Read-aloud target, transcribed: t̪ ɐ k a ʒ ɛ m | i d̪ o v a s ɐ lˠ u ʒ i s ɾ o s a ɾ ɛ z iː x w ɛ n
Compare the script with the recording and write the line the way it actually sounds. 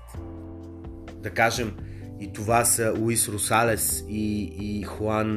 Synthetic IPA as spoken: d̪ ɐ k a ʒ ɛ m | i t̪ o v a s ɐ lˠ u i s ɾ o s a l ɛ s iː x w a n